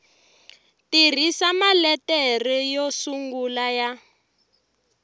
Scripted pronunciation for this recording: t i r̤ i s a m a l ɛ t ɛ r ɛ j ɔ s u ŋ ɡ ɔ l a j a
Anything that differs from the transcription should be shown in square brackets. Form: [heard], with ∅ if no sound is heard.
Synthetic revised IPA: t i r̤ i s a m a l ɛ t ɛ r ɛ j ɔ s u ŋ ɡ [u] l a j a